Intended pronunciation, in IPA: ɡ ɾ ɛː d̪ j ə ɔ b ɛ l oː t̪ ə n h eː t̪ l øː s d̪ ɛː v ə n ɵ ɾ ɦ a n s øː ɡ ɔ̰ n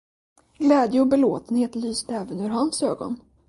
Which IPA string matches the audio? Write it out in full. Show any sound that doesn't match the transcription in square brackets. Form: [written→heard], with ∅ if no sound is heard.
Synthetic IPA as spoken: ɡ [ɾ→l] ɛː d̪ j ə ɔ b ɛ l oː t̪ ə n h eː t̪ l [øː→yː] s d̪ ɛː v ə n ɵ ɾ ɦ a n s øː ɡ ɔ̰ n